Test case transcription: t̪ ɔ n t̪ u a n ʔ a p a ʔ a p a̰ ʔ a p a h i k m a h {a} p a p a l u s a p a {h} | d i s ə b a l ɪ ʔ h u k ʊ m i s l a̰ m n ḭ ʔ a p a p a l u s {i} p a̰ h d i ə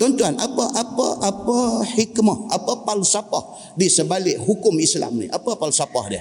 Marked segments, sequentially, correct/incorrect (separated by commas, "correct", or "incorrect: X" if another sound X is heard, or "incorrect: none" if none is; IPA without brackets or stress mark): correct, correct, incorrect: a